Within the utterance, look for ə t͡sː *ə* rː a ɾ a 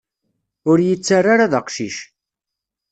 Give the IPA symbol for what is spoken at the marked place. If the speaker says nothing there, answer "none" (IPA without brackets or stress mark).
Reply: a